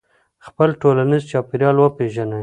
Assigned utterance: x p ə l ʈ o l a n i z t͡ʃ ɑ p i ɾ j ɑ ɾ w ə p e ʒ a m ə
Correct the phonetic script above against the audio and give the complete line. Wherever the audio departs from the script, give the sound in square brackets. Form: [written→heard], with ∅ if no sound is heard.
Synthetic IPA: x p ə l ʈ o l a n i z t͡ʃ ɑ p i ɾ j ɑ [ɾ→l] w ə p e ʒ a [m→n] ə

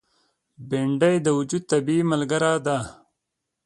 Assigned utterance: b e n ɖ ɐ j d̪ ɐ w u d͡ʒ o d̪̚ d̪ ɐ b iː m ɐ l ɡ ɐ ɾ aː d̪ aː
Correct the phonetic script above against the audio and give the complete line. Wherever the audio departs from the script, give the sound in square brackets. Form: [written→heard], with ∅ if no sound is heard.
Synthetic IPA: b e [n→ɳ] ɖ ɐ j d̪ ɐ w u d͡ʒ [o→u] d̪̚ [d̪→t̪] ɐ b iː m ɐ l ɡ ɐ ɾ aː d̪ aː

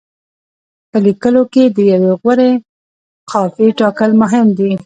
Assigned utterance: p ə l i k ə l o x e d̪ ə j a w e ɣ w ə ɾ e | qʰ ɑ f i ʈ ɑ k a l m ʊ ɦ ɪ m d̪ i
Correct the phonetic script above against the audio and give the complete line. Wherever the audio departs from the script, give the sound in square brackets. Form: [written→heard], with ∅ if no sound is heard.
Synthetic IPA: p ə l i k ə l o [x→k] e d̪ ə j a w e ɣ w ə ɾ e | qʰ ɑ f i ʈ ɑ k [a→ə] l m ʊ ɦ ɪ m d̪ i

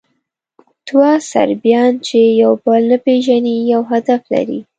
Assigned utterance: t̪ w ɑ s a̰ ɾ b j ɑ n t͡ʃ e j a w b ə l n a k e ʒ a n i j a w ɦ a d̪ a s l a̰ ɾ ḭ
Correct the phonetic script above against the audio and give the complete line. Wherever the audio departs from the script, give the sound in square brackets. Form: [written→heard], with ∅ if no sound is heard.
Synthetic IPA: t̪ w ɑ s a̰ ɾ b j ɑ n t͡ʃ e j a w b ə l n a [k→p] e ʒ a n i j a w ɦ a d̪ a [s→f] l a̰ ɾ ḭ

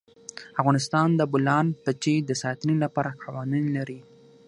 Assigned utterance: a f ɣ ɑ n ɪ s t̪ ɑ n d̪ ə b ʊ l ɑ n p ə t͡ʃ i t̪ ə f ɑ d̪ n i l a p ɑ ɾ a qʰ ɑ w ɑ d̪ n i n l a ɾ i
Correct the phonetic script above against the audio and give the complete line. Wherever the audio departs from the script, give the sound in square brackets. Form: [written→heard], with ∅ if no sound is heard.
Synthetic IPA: a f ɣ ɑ n ɪ s t̪ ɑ n d̪ ə b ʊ l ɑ n p ə t͡ʃ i [t̪→d̪] ə [f→s] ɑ [d̪→t̪] n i l a p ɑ ɾ a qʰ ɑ w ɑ [d̪→∅] n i n l a ɾ i

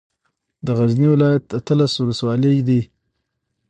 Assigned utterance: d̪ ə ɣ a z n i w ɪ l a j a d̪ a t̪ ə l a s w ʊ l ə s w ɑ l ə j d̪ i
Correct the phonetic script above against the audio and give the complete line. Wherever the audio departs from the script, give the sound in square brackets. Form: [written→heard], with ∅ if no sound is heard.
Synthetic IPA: d̪ ə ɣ a z n i w ɪ l [a→ɑ] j a [d̪→t̪] a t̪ ə l a s w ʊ l ə s w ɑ l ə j d̪ i

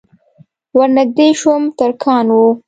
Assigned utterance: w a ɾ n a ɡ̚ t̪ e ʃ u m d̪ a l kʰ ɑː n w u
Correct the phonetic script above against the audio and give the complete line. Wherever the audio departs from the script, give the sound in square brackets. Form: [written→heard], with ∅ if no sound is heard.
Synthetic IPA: w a ɾ n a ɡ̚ [t̪→d̪] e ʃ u m [d̪→t̪] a [l→ɾ] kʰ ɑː n w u

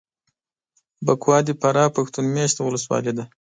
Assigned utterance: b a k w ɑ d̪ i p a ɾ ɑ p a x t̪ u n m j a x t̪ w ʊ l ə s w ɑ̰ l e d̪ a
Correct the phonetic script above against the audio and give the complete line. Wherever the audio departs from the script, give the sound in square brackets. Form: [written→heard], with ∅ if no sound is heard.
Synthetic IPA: b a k w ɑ d̪ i p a ɾ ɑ p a x t̪ u n m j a [x→ʃ] t̪ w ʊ l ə s w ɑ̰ l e d̪ a

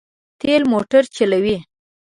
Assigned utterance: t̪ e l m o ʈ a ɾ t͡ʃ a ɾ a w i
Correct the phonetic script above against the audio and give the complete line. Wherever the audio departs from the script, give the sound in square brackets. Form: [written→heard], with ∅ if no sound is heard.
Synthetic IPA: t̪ e l m o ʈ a ɾ t͡ʃ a [ɾ→l] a w i

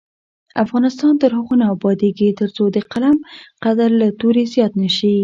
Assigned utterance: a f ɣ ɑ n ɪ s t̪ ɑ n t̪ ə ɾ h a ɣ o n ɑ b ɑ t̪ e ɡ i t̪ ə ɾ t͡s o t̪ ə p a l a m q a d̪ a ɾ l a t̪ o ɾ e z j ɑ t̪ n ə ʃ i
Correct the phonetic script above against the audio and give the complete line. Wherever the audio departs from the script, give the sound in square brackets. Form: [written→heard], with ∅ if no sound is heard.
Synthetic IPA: a f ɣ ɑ n ɪ s t̪ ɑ n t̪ ə ɾ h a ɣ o n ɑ b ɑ [t̪→d̪] e ɡ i t̪ ə ɾ t͡s o [t̪→d̪] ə [p→q] a l a m q a d̪ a ɾ l a t̪ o ɾ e z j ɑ t̪ n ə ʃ i

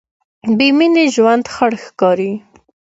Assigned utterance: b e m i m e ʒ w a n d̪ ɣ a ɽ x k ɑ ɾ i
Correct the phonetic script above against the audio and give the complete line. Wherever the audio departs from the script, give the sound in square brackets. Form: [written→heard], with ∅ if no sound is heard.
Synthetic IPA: b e m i [m→n] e ʒ w a n d̪ [ɣ→x] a ɽ x k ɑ ɾ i

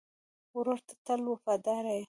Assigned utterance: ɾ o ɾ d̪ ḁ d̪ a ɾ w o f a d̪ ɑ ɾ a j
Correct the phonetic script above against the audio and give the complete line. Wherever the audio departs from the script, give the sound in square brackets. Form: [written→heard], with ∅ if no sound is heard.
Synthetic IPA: ɾ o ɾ [d̪→t̪] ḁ [d̪→t̪] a [ɾ→l] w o f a d̪ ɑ ɾ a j

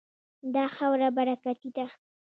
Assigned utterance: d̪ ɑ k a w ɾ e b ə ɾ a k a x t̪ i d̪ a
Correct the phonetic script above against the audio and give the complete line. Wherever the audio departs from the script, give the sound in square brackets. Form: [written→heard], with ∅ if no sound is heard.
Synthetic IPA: d̪ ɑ [k→x] a w ɾ [e→a] b [ə→a] ɾ a k a [x→∅] t̪ i d̪ a

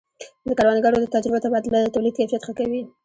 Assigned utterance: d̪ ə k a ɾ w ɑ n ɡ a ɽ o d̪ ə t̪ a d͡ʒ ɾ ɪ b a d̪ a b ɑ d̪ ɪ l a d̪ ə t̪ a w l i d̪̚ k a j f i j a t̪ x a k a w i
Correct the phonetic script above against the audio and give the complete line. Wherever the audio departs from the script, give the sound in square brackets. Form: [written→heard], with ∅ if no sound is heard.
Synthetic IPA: d̪ ə k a ɾ w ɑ n ɡ a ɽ o d̪ ə t̪ a d͡ʒ ɾ ɪ b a [d̪→t̪] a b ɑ d̪ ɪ l a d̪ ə t̪ a w l i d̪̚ k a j f i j a t̪ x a k a w i

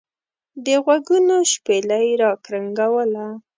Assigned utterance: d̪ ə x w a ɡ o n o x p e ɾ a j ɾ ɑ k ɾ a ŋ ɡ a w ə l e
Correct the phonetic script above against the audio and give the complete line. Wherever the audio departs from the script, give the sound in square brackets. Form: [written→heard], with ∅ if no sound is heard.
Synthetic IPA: d̪ ə [x→ɣ] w a ɡ [o→u] n o [x→ʃ] p e [ɾ→l] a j ɾ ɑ k ɾ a ŋ ɡ a w ə l [e→a]

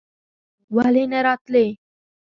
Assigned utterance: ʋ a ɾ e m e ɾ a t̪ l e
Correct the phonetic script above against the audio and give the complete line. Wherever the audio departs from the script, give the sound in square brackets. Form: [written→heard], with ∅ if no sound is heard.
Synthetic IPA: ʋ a [ɾ→l] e [m→n] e ɾ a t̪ l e

